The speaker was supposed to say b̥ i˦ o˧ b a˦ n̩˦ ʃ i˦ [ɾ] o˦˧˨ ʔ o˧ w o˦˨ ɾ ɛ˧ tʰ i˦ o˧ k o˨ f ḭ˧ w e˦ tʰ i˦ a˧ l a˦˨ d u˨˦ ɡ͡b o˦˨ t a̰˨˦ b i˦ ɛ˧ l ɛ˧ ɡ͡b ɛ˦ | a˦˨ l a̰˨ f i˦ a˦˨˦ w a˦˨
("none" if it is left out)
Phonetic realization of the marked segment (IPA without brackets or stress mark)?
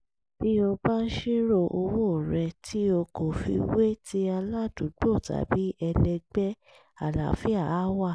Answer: ɾ